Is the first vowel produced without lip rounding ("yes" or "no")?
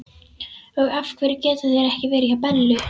no